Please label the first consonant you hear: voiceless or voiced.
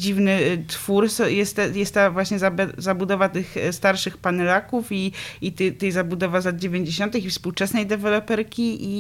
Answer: voiced